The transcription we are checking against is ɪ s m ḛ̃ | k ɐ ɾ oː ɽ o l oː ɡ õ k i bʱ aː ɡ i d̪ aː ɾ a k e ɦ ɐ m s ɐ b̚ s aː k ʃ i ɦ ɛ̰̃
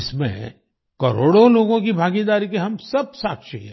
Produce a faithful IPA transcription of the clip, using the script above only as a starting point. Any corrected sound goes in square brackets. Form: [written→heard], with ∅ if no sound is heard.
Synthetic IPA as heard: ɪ s m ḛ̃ | k ɐ ɾ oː ɽ o l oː ɡ õ k i bʱ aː ɡ i d̪ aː ɾ [a→i] k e ɦ ɐ m s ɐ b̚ s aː k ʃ i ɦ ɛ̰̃

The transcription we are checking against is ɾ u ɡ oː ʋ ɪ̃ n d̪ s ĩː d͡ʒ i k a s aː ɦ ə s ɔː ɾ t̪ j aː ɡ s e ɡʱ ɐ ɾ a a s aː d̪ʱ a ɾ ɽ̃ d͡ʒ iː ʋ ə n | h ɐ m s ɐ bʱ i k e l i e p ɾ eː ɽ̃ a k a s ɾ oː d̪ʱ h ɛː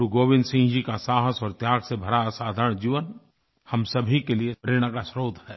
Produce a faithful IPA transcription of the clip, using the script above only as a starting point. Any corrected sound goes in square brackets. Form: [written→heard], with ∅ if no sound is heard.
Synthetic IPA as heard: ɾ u ɡ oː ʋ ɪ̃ n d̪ s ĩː d͡ʒ i k a s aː ɦ ə s ɔː ɾ t̪ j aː ɡ s e [ɡʱ→bʱ] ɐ ɾ a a s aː d̪ʱ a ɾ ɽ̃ d͡ʒ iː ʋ ə n | h ɐ m s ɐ bʱ i k e l i e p ɾ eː ɽ̃ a k a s ɾ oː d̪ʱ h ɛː

